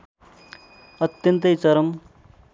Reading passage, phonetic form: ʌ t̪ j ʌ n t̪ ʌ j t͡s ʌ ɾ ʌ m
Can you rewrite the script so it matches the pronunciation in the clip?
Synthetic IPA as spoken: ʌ t̪ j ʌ n t̪ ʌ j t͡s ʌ ɾ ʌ m